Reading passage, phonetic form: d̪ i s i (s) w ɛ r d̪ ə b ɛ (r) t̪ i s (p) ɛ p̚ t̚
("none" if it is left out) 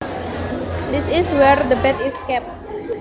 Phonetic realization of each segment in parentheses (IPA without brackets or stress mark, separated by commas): s, none, k